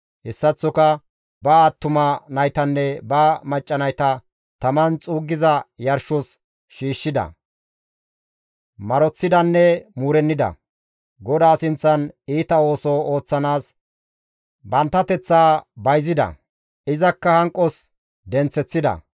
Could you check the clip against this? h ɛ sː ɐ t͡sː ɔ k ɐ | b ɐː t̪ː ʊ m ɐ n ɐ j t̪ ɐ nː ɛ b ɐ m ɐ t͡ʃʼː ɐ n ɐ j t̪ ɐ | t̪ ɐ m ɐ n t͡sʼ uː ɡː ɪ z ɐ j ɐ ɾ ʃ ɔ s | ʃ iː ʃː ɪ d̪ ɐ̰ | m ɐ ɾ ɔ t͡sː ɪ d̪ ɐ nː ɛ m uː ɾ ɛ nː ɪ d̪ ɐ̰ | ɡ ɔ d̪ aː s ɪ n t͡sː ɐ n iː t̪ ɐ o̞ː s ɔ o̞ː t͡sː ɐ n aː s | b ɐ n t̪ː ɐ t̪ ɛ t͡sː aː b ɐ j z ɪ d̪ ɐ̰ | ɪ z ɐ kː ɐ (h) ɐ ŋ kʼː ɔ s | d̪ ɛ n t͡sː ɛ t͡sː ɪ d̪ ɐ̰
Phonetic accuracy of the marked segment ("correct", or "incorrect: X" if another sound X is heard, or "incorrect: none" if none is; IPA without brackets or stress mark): correct